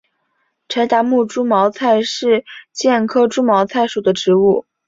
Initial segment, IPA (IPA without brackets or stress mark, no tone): ʈ͡ʂʰ